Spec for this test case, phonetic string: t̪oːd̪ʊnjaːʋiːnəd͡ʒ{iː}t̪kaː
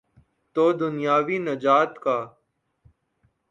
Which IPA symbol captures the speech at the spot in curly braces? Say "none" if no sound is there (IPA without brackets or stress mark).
aː